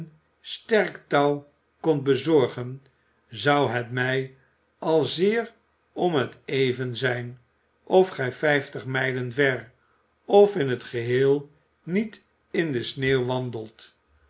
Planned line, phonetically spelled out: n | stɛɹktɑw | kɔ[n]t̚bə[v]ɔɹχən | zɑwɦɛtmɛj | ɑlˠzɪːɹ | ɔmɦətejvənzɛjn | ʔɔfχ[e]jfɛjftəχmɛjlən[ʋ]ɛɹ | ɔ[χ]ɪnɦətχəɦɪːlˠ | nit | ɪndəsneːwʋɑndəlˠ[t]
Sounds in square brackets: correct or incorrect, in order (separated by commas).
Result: correct, incorrect, incorrect, incorrect, incorrect, correct